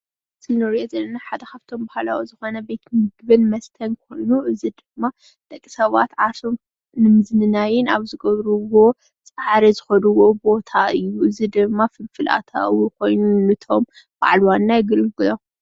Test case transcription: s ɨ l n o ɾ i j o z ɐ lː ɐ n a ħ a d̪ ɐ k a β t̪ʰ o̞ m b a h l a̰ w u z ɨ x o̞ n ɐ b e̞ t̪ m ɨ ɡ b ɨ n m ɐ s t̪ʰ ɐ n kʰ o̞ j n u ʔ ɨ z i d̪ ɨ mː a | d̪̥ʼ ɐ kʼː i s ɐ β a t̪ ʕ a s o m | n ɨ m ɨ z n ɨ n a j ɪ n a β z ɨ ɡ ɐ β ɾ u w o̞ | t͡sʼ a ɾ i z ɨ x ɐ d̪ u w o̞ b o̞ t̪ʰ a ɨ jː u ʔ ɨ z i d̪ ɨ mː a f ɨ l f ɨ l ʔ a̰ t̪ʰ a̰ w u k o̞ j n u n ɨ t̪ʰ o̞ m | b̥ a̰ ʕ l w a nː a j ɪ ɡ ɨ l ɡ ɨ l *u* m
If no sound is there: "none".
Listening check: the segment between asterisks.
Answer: o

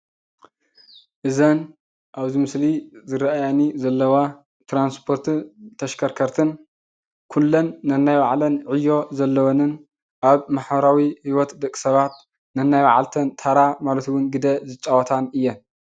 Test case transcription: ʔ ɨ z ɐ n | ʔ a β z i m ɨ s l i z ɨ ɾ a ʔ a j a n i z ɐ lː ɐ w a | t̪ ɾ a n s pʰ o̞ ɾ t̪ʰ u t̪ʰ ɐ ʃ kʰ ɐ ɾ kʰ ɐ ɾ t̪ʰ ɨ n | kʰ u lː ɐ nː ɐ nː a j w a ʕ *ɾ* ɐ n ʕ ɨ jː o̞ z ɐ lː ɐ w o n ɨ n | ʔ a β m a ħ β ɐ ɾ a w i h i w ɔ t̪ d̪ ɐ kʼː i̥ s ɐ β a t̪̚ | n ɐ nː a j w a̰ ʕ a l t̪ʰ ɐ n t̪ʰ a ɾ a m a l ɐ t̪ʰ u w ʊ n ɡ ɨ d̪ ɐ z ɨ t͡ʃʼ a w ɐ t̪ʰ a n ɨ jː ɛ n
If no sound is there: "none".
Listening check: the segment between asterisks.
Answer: l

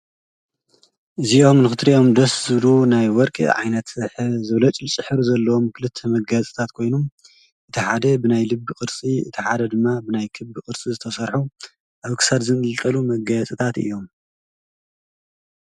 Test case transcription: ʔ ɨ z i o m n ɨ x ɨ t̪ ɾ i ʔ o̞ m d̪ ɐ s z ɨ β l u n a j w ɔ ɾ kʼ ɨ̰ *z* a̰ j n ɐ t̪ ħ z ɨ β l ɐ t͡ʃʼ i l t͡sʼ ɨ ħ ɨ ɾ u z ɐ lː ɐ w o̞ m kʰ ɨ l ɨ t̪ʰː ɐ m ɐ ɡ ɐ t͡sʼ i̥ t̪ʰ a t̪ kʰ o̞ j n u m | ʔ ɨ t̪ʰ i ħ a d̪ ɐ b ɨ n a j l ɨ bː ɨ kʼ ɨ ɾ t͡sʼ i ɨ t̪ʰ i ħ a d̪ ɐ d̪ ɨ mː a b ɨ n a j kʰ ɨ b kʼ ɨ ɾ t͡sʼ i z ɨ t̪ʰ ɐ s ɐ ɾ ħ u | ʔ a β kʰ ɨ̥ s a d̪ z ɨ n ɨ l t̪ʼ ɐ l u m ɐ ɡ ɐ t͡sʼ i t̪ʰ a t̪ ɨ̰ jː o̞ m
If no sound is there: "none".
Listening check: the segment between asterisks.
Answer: ʕ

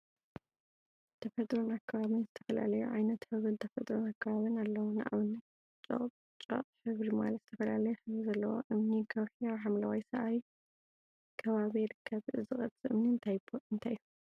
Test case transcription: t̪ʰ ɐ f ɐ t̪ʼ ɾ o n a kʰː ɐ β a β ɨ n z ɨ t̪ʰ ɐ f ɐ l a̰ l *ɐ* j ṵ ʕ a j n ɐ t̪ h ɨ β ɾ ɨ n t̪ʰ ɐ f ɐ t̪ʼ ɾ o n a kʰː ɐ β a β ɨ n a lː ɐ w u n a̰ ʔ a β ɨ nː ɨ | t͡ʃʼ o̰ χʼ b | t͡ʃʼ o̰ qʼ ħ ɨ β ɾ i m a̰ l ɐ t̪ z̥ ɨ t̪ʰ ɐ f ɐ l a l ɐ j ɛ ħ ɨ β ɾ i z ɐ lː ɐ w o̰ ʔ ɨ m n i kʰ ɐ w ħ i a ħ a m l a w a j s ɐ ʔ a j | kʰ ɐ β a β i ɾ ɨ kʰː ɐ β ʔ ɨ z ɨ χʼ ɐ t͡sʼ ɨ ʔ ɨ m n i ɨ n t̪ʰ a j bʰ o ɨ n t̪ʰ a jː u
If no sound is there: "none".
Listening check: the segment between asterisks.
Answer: ɐ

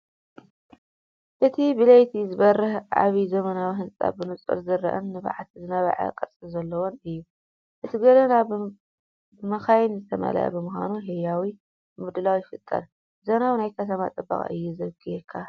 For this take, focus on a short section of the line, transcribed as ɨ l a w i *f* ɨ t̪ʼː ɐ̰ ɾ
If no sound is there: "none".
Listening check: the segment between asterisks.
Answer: f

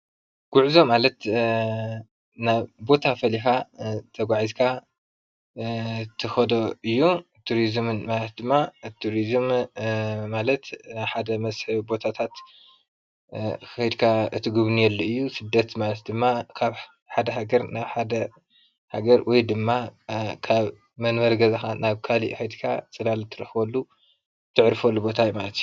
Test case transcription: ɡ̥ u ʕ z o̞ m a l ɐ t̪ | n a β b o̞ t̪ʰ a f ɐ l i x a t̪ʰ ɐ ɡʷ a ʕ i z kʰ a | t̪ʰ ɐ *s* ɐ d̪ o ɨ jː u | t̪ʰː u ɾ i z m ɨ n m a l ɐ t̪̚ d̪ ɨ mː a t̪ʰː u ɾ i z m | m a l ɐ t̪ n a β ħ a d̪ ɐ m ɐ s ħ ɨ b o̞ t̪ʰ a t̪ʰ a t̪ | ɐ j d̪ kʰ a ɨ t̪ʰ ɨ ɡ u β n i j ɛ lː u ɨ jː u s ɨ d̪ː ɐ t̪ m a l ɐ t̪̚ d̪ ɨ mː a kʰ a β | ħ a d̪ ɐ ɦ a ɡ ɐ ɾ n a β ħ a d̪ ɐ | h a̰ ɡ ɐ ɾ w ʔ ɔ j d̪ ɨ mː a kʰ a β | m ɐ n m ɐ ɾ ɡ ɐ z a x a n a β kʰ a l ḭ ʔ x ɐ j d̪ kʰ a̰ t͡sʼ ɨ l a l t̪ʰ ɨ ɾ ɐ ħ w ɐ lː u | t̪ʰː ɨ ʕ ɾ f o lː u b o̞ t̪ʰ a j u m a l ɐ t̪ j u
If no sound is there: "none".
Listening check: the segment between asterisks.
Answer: x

